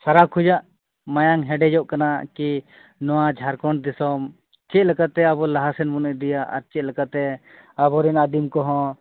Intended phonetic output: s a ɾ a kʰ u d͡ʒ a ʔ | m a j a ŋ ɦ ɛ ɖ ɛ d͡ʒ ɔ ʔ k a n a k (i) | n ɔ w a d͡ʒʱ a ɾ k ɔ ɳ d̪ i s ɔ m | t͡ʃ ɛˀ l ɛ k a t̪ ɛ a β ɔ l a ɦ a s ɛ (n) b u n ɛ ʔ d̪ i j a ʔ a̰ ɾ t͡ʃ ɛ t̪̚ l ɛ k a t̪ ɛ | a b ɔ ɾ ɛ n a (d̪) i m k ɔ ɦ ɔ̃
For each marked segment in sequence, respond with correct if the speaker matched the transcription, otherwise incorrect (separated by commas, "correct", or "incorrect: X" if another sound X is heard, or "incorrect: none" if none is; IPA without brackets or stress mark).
correct, correct, correct